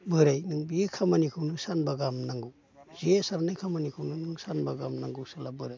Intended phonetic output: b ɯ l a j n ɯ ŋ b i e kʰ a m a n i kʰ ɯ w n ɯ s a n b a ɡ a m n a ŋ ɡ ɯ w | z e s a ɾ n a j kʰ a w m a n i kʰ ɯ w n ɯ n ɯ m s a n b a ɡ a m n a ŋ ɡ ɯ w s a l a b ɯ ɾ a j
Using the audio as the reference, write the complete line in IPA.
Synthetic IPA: b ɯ ɾ a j n ɯ ŋ b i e kʰ a m a n i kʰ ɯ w n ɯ s a n b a ɡ a m n a ŋ ɡ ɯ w | z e s a ɾ n a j kʰ a m a n i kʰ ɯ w n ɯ n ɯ ŋ s a n b a ɡ a m n a ŋ ɡ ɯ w s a l a b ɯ ɾ a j